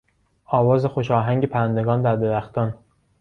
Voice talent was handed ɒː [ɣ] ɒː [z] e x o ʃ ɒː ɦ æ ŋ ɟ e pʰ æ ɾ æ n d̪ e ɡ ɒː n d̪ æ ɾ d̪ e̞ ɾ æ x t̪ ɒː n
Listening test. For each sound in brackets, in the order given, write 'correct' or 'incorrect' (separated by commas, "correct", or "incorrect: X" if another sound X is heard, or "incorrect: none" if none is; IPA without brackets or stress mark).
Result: incorrect: v, correct